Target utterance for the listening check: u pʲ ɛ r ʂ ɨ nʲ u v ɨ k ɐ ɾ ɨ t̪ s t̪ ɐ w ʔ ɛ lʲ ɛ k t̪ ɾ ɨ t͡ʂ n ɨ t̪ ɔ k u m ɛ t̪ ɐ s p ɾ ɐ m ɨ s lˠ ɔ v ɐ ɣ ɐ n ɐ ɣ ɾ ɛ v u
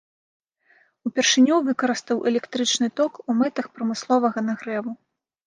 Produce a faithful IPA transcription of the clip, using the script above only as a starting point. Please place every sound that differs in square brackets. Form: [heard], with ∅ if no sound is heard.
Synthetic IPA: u pʲ ɛ r ʂ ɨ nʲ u v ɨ k ɐ ɾ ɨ [∅] s t̪ ɐ w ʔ ɛ lʲ ɛ k t̪ ɾ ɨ t͡ʂ n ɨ t̪ ɔ k u m ɛ t̪ ɐ [x] p ɾ ɐ m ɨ s lˠ ɔ v ɐ ɣ ɐ n ɐ ɣ ɾ ɛ v u